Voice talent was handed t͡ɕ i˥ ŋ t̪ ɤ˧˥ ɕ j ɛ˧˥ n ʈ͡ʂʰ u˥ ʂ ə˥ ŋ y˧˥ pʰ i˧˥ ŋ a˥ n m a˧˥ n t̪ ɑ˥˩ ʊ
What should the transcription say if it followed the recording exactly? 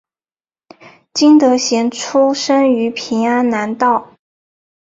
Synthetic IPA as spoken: t͡ɕ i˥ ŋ t̪ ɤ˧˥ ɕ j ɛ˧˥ n ʈ͡ʂʰ u˥ ʂ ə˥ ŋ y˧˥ pʰ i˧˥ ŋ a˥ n n a˧˥ n t̪ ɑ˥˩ ʊ